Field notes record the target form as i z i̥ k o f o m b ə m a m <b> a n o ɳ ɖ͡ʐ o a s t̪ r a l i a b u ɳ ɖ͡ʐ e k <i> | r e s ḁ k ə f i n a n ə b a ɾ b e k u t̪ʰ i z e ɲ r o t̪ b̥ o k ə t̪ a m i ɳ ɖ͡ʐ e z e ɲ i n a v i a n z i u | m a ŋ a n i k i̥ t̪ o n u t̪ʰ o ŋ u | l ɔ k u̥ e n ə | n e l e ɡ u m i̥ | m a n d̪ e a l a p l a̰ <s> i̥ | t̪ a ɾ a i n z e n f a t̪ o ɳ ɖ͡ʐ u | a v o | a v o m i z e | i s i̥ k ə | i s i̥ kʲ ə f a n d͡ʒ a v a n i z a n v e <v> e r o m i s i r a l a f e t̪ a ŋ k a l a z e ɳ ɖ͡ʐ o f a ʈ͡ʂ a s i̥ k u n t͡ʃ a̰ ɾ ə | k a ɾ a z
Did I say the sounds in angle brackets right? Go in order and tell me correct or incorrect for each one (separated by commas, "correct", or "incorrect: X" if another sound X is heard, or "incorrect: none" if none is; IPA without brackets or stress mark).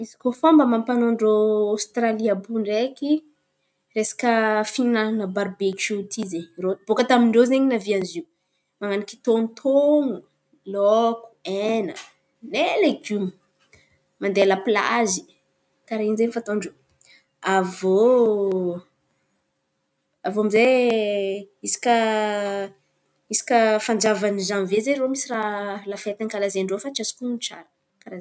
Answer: incorrect: p, correct, incorrect: z, incorrect: z